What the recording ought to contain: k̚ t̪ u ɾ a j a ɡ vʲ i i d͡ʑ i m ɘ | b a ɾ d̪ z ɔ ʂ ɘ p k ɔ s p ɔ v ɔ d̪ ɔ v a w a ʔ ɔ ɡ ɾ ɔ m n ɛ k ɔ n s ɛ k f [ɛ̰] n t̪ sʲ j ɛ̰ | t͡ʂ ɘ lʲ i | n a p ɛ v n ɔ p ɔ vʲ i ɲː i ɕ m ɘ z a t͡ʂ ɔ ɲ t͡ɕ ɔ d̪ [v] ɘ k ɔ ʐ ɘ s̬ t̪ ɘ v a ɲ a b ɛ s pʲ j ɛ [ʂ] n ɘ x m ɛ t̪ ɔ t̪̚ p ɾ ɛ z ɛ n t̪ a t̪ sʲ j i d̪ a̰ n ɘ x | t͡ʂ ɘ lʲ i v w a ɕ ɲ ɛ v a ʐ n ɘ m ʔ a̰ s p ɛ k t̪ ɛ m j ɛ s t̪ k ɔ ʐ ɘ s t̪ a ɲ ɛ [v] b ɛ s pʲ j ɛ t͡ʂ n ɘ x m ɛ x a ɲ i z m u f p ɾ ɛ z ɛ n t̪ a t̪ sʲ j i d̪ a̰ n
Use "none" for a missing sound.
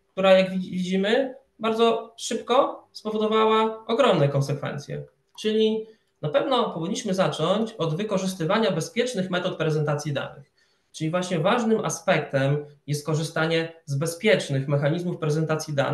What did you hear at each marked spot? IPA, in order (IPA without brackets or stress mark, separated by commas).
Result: ɛ̰, v, t͡ʂ, z